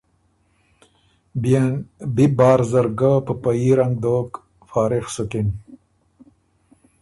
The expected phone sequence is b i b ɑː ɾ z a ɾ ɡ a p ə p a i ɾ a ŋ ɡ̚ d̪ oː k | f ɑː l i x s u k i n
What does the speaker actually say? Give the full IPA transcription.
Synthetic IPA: b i b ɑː ɾ z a ɾ ɡ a p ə p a i ɾ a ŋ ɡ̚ d̪ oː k | f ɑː ɾ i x s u k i n